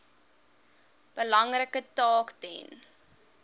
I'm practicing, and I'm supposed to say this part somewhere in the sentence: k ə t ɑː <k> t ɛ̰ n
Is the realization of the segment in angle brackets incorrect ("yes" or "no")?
no